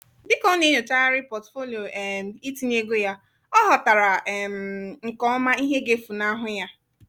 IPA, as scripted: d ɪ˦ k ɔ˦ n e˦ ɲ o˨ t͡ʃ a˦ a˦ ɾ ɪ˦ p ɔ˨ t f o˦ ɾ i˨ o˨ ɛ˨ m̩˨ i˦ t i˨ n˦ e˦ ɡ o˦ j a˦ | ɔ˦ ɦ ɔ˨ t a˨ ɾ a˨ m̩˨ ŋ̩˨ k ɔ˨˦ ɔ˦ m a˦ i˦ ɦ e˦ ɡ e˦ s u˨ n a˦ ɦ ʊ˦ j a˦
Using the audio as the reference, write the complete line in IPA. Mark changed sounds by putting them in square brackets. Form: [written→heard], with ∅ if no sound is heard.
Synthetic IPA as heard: d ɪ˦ k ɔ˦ n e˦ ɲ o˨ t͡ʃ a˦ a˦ ɾ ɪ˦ p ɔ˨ t f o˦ [ɾ→l] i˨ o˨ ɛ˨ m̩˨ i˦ t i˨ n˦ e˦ ɡ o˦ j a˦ | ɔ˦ ɦ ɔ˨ t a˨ ɾ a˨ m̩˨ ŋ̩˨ k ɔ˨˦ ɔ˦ m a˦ i˦ ɦ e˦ ɡ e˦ [s→f] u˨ n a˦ ɦ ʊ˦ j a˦